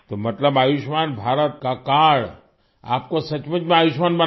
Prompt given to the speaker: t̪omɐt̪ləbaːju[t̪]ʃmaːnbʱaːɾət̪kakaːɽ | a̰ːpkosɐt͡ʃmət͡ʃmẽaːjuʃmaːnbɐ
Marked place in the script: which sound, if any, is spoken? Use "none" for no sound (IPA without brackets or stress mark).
none